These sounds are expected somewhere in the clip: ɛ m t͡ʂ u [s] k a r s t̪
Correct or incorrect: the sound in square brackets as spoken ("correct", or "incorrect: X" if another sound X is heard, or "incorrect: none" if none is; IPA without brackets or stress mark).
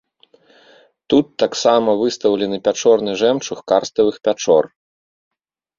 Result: incorrect: x